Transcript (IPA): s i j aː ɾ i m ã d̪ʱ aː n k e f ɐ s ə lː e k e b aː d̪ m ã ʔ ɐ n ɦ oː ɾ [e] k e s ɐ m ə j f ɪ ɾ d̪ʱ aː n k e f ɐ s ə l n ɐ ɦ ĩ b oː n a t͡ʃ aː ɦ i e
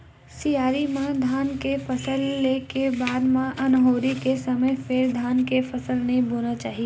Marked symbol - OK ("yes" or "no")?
no